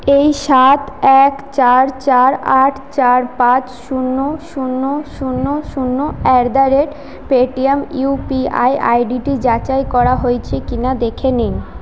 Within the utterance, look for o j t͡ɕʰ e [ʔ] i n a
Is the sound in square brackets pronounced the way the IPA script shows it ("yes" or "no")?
no